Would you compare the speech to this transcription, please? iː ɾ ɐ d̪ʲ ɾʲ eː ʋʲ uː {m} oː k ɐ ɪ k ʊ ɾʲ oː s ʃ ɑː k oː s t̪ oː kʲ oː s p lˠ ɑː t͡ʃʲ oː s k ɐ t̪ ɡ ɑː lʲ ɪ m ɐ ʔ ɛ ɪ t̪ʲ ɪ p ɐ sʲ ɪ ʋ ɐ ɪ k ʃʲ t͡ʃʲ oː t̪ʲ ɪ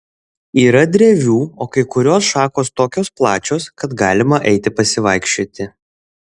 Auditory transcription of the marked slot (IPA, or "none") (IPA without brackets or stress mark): none